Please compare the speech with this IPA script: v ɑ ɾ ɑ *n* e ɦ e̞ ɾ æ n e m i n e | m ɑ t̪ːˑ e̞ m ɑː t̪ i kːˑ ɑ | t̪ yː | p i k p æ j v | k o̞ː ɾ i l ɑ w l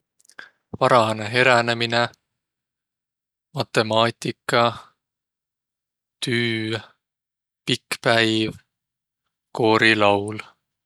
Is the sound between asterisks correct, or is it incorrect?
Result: correct